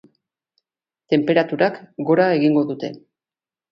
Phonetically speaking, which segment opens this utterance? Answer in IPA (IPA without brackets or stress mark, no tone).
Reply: t̪